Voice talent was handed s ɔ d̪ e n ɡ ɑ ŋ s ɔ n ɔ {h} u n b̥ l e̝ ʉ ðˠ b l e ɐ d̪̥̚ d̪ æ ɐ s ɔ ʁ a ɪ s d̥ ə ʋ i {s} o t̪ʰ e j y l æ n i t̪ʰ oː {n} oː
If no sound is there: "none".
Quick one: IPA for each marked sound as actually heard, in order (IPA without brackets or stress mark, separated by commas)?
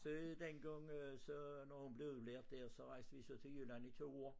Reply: h, s, none